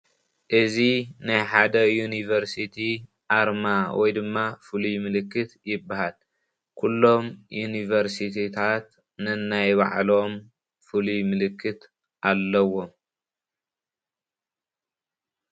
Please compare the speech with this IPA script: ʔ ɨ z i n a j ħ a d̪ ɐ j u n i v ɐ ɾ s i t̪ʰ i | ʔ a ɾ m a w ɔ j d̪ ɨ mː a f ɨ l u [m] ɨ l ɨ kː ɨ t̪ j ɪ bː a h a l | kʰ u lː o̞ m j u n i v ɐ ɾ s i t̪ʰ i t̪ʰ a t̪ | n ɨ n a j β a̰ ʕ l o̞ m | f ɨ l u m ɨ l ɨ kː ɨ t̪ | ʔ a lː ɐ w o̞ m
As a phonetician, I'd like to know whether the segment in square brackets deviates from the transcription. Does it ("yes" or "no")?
no